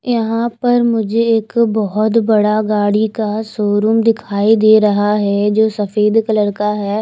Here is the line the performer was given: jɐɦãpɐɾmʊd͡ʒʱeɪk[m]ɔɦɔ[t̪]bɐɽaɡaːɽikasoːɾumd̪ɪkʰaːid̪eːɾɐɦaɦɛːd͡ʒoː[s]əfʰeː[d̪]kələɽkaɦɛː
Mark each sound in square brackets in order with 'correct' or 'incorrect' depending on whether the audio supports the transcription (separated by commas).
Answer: incorrect, correct, correct, correct